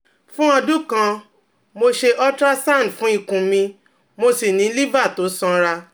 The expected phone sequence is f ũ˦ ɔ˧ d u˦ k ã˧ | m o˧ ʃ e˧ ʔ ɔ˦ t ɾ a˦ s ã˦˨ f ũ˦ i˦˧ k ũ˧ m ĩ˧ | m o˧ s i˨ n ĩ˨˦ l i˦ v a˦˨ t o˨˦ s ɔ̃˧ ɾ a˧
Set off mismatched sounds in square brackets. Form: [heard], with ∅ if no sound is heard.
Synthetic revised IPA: f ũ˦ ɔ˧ d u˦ k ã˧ | m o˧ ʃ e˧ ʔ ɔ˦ t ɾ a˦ s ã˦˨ f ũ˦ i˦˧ k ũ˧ m ĩ˧ | m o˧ s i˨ n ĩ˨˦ l i˦ v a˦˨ t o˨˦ s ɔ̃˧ ɾ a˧